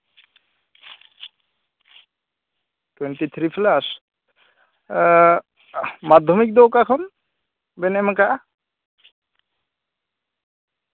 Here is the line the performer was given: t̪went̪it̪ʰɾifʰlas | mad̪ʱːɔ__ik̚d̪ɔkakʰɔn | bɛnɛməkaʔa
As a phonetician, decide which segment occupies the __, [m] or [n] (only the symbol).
m